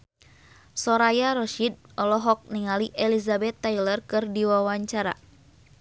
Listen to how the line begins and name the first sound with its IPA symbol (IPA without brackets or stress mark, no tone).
s